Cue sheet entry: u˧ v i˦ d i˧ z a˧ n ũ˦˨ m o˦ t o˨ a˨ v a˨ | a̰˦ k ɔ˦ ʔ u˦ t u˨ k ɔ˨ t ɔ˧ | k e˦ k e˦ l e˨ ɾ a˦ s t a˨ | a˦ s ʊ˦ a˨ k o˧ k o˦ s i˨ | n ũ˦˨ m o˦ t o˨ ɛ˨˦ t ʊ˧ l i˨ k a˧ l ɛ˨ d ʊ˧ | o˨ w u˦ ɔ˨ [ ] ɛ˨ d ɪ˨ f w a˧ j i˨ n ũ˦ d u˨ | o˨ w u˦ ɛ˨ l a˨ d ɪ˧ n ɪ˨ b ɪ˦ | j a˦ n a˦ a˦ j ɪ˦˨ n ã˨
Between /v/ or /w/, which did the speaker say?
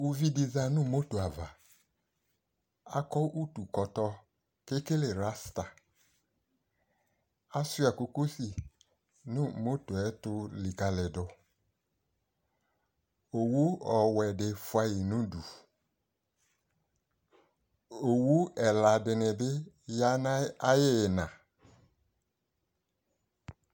w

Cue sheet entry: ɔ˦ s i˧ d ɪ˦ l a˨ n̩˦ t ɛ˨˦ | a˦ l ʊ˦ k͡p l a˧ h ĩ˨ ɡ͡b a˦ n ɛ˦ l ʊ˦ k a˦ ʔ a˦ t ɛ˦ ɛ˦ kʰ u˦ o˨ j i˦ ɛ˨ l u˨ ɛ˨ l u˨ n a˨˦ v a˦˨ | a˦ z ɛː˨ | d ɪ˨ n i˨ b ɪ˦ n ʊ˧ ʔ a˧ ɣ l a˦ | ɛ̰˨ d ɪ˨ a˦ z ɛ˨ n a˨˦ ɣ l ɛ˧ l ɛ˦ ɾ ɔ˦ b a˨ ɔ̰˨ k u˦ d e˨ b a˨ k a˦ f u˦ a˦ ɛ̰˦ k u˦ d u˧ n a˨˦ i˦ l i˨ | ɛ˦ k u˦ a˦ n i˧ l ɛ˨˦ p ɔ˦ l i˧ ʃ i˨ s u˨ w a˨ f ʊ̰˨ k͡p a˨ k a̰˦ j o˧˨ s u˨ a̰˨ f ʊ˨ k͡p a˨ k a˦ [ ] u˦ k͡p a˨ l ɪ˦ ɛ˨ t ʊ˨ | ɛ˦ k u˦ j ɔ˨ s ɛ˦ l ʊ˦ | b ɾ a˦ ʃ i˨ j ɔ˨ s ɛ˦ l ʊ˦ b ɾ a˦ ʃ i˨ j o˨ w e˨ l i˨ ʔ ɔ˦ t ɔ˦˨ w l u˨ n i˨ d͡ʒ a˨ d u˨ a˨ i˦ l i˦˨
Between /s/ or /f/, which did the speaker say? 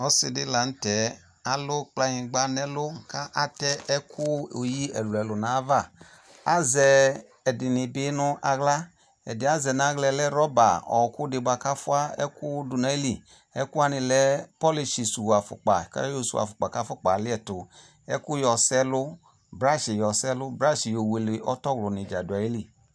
f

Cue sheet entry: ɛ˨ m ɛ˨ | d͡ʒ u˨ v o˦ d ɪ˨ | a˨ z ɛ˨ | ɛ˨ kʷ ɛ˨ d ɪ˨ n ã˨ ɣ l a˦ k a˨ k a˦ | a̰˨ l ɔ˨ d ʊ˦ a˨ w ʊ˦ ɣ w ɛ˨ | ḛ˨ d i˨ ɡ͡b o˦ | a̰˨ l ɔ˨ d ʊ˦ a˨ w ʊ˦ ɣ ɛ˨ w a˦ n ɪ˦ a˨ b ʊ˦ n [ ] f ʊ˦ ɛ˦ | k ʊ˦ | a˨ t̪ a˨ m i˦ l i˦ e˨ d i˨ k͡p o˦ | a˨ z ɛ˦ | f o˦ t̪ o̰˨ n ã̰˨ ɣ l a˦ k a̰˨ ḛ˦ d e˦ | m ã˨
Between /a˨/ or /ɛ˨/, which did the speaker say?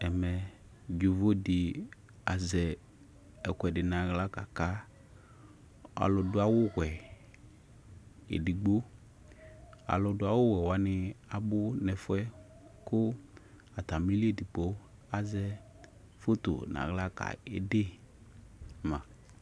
ɛ˨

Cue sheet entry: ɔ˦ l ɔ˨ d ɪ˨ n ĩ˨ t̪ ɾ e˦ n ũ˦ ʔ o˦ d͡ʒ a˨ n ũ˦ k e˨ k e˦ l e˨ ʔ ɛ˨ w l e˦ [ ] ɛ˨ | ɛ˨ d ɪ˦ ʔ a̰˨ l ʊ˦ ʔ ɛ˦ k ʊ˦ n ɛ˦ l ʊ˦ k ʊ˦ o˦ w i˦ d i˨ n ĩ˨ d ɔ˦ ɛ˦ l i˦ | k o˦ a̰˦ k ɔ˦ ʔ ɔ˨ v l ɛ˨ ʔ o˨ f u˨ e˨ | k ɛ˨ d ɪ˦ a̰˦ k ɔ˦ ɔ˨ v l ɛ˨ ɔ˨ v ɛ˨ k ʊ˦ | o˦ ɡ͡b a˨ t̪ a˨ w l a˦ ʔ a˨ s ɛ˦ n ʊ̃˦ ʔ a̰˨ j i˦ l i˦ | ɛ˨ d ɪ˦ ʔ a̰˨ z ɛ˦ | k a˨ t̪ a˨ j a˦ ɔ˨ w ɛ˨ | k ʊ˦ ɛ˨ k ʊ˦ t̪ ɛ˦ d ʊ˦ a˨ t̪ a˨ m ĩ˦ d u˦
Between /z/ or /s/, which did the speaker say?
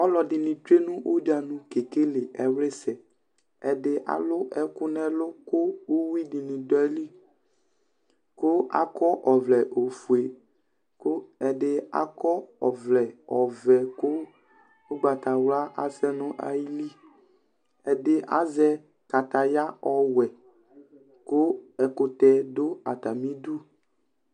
s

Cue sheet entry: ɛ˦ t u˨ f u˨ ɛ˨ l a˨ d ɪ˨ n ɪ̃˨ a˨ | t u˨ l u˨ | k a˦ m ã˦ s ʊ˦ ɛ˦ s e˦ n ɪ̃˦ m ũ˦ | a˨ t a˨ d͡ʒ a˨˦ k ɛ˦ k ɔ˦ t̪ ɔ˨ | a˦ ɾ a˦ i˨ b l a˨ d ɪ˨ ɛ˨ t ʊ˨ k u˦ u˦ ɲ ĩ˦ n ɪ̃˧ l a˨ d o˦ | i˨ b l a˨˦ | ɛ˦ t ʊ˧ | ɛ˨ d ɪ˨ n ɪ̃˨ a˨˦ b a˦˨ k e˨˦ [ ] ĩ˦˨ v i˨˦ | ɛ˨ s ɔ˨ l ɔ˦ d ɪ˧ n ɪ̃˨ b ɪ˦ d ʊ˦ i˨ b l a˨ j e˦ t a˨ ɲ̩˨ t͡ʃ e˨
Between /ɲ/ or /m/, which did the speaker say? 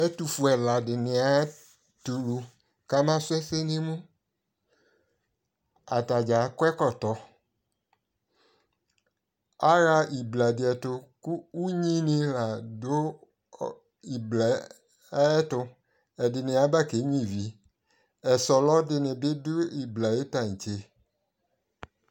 ɲ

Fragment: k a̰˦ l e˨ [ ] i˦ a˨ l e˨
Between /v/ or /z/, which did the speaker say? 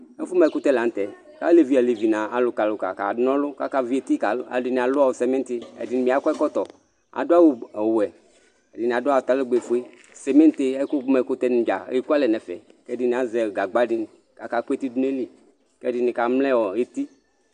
v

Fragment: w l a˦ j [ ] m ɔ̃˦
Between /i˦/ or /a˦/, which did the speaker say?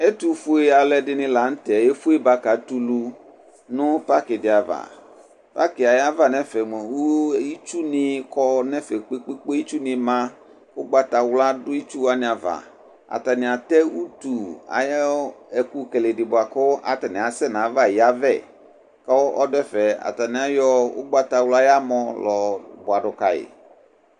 a˦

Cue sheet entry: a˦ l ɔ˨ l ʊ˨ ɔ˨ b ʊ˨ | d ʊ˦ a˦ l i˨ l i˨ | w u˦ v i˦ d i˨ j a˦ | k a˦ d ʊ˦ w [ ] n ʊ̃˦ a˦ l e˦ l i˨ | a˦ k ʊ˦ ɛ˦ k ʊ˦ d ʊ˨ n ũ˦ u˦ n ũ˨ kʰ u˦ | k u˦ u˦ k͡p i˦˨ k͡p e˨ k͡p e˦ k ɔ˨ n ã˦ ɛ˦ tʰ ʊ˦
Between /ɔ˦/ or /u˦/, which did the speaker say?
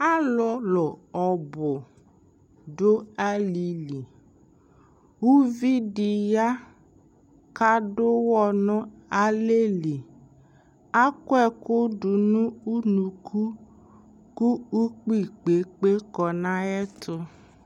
ɔ˦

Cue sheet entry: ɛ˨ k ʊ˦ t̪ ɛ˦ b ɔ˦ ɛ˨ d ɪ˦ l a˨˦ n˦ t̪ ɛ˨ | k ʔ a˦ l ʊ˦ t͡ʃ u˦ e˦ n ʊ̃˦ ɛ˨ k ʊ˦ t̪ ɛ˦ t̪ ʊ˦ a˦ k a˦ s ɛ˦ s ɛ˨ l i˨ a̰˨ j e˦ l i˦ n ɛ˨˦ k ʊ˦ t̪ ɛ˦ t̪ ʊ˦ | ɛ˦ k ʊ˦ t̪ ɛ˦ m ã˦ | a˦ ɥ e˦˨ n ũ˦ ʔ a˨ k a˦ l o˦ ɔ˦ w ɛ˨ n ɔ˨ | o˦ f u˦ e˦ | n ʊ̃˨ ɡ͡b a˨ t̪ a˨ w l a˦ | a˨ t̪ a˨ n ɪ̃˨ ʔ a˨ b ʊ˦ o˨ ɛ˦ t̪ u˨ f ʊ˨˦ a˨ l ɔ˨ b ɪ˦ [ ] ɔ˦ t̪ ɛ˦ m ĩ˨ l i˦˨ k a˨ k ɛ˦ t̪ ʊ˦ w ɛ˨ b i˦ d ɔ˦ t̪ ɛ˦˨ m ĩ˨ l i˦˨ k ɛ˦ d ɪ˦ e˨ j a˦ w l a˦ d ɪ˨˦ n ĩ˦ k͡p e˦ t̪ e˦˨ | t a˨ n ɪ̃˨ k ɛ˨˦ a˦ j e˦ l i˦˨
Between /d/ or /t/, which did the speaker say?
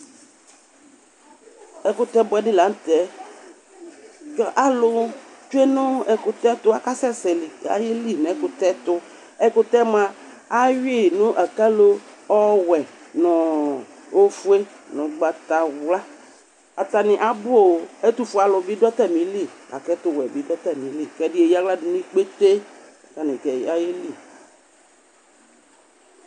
d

